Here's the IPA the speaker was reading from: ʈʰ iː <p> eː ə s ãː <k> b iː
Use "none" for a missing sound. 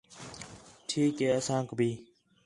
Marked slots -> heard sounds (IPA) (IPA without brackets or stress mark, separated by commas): k, k